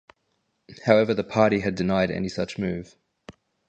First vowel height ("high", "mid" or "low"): low